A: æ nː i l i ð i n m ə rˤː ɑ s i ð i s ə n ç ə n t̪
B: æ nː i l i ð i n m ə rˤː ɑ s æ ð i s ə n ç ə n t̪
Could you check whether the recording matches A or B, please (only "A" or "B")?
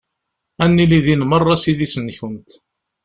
A